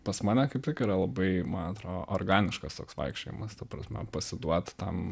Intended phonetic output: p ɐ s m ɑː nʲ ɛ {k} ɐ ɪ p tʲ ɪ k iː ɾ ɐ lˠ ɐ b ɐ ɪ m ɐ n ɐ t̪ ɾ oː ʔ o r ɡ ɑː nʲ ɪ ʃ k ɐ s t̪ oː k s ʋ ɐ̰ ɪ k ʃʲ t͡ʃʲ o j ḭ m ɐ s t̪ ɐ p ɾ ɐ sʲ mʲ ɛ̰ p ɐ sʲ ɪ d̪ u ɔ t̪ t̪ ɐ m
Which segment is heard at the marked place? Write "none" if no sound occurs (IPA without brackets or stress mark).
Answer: k